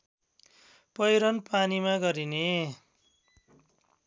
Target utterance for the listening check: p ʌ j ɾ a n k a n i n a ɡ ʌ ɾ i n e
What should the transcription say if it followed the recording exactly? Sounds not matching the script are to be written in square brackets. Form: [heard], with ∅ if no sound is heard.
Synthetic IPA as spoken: p ʌ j ɾ [ʌ] n [p] a n i [m] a ɡ ʌ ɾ i n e